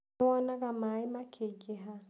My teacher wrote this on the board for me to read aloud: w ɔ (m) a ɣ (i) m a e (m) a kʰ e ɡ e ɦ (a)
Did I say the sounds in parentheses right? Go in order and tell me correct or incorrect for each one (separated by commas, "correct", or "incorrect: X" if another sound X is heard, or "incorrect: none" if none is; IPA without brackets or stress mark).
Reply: incorrect: n, incorrect: a, correct, correct